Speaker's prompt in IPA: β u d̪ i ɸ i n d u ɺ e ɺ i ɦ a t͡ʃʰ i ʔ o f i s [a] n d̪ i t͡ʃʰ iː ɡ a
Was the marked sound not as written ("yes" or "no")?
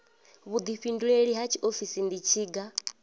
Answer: yes